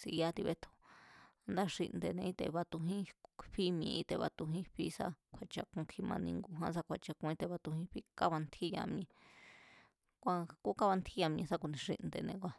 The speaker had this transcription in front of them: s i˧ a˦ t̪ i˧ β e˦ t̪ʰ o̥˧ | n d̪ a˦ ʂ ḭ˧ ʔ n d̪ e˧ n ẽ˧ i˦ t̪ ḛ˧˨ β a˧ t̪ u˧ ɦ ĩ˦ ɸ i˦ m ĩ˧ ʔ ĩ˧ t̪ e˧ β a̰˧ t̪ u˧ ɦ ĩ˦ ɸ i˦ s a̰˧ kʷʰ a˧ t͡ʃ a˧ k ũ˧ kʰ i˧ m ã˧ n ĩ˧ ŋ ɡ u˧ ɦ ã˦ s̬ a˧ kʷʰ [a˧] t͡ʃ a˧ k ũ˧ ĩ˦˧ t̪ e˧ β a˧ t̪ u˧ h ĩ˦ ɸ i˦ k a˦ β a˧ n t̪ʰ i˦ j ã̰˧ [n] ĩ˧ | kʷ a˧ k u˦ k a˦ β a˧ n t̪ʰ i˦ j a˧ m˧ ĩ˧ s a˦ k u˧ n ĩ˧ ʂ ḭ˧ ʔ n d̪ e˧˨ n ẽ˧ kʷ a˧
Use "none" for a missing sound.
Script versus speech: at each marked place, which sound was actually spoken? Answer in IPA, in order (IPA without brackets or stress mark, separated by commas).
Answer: a˧, m